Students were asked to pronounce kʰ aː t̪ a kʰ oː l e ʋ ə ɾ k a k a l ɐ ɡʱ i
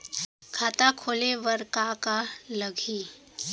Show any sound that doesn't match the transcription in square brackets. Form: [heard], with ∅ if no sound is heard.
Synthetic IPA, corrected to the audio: kʰ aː t̪ a kʰ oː l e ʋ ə ɾ k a k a l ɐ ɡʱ i